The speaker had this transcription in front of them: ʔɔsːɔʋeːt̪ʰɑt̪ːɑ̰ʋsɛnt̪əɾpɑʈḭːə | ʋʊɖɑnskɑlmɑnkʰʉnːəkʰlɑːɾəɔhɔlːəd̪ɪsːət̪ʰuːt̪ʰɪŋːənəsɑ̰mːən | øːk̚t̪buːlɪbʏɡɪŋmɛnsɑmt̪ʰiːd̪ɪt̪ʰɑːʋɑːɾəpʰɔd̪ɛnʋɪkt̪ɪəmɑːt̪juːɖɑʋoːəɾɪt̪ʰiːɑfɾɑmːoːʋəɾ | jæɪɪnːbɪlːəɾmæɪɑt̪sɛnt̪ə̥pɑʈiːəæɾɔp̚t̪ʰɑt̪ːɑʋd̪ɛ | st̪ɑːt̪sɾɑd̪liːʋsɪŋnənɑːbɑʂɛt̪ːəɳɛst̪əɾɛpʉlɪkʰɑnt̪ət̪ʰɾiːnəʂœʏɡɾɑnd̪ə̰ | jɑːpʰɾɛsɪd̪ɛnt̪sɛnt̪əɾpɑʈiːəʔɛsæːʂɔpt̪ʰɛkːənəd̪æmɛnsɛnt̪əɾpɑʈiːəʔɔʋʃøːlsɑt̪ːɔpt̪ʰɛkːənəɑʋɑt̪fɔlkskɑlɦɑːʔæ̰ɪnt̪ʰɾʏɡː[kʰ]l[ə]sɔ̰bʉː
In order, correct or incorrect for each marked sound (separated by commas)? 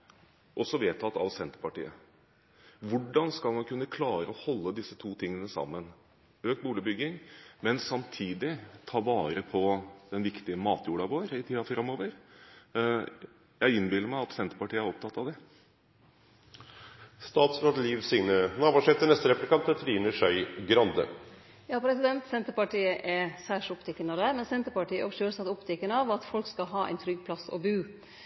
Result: incorrect, incorrect